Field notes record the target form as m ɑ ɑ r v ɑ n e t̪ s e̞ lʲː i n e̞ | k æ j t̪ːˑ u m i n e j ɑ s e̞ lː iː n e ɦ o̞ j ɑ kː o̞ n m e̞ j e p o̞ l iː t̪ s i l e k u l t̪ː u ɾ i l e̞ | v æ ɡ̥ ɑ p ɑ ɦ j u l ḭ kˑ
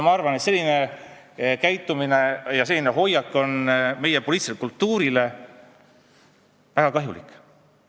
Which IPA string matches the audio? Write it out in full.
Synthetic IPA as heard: m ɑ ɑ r v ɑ n e t̪ s e̞ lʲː i n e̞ | k æ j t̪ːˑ u m i n e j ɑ s e̞ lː i n e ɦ o̞ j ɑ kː o̞ n m e̞ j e p o̞ l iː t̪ s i l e k u l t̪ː uː ɾ i l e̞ | v æ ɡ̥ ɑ k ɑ ɦ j u l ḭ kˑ